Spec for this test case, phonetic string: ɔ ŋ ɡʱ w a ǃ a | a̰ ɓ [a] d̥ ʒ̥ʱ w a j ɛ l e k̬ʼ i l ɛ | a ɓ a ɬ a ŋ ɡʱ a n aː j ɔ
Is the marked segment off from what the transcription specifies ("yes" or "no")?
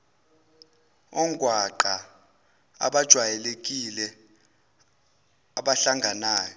no